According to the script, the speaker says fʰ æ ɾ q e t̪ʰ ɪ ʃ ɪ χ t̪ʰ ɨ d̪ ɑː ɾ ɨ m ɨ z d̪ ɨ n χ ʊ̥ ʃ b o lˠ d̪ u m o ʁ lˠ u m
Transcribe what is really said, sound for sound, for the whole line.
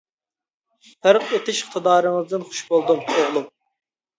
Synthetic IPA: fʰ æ ɾ q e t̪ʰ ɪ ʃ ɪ χ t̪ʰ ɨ d̪ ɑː ɾ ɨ ŋ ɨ z d̪ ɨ n χ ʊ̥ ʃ b o lˠ d̪ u m o ʁ lˠ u m